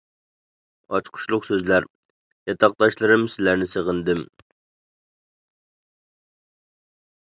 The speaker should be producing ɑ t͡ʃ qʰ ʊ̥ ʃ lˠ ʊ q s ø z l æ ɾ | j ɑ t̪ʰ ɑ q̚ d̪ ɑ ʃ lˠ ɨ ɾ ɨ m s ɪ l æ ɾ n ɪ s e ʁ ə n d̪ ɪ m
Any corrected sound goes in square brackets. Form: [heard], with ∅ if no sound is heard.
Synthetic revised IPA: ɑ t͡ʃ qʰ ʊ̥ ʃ lˠ ʊ q s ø z l æ ɾ | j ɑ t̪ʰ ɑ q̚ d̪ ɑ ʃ lˠ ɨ ɾ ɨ m s ɪ l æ ɾ n ɪ s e ʁ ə n d̪ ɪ m